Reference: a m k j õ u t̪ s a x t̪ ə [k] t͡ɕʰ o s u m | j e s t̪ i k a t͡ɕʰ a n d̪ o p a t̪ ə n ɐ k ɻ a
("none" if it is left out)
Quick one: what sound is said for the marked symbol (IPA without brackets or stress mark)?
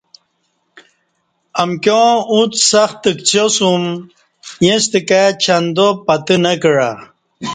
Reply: k